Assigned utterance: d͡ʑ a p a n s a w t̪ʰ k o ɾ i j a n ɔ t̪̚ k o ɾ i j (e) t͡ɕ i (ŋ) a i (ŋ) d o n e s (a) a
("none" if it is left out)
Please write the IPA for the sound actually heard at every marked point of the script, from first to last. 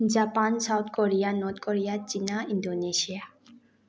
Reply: a, n, n, i

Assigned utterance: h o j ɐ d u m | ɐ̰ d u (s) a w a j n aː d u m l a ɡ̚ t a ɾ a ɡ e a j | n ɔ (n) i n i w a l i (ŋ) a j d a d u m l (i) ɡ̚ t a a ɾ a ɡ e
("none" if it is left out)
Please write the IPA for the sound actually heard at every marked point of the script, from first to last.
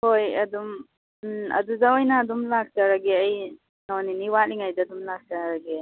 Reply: z, n, ŋ, a

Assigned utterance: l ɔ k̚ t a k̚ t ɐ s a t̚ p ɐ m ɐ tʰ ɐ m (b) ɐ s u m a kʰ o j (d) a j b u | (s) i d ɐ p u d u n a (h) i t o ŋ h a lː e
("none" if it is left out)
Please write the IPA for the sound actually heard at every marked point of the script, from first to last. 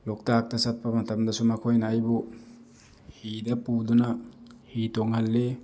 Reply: d, n, h, h

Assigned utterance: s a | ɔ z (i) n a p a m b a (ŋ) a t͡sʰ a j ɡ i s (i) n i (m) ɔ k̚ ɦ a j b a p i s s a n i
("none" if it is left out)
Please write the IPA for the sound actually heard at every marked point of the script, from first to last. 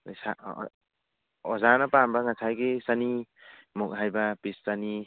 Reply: a, ŋ, a, m

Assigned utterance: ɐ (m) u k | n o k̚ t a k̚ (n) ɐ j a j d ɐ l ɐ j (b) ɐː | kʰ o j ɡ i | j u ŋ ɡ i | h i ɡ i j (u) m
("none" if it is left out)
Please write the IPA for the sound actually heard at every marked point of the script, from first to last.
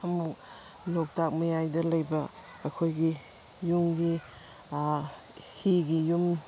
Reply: m, m, b, u

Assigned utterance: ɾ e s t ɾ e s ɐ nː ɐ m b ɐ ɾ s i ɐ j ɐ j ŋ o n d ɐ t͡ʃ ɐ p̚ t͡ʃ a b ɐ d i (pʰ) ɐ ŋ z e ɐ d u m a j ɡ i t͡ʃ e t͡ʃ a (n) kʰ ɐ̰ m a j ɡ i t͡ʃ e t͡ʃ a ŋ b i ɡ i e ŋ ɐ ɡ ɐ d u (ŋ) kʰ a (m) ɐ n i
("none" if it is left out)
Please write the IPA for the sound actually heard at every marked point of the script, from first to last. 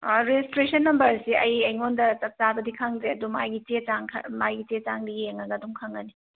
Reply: kʰ, ŋ, ŋ, ŋ

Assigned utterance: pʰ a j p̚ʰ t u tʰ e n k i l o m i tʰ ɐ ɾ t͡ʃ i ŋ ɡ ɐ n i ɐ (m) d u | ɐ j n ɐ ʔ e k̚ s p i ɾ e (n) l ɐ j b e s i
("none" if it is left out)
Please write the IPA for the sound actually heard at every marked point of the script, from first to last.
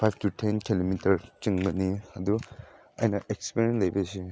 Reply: none, n

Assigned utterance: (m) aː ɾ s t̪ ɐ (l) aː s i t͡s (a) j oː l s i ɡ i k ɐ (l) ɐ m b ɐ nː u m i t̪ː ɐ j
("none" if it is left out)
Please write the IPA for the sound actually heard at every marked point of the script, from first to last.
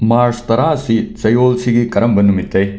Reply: m, ɾ, ɐ, ɾ

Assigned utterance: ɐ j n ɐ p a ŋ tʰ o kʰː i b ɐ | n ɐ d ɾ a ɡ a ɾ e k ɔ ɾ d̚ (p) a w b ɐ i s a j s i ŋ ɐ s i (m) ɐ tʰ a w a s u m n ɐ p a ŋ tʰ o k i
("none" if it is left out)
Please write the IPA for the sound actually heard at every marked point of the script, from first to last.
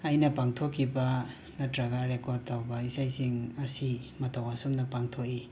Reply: t, m

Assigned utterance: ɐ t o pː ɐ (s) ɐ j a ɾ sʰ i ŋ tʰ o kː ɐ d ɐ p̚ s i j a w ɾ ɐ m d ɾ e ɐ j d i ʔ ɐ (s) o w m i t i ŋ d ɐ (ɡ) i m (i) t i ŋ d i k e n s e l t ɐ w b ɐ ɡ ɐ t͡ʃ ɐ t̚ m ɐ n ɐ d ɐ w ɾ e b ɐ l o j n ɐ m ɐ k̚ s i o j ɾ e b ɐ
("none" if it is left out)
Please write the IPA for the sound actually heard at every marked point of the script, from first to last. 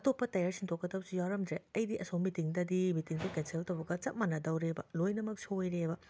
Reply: t, s, d, i

